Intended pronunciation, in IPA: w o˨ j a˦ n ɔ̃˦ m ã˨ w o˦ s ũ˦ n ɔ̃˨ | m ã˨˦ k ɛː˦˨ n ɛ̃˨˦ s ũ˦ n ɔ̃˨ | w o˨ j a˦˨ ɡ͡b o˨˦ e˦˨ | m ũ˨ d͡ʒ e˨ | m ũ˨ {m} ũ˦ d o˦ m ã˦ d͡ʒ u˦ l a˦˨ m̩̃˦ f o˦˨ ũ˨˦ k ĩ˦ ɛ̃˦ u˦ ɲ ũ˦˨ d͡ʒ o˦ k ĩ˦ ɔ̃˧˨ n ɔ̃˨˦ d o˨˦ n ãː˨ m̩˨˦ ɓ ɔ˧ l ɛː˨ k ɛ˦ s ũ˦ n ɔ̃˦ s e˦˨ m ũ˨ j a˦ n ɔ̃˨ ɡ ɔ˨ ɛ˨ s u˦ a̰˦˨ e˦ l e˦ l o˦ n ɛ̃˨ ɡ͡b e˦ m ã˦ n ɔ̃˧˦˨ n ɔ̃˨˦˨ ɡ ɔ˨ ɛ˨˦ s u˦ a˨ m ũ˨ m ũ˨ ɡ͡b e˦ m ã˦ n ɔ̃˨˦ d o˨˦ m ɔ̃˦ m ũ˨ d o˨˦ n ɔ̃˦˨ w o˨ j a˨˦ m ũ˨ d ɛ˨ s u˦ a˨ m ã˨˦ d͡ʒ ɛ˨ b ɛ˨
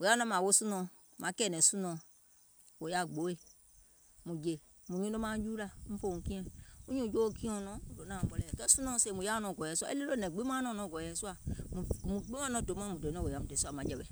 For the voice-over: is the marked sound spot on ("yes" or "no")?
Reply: no